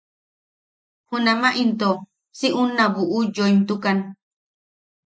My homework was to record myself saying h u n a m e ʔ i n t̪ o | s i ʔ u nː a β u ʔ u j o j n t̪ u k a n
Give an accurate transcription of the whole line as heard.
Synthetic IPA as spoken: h u n a m a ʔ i n t̪ o | s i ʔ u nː a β u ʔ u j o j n t̪ u k a n